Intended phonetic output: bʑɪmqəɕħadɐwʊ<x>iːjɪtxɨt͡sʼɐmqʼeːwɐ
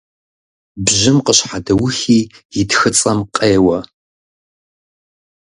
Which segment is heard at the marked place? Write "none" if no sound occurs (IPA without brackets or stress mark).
x